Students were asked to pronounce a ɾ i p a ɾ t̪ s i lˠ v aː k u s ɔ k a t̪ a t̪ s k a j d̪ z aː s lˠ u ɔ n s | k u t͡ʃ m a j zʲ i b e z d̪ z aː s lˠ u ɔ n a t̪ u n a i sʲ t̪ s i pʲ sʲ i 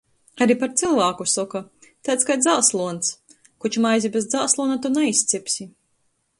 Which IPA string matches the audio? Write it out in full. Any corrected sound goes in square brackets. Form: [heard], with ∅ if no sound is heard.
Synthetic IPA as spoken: a ɾ i p a ɾ t̪ s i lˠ v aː k u s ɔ k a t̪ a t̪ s k a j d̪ z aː s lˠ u ɔ n s | k u t͡ʃ m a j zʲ i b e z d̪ z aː s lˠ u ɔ n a t̪ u n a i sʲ t̪ s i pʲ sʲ i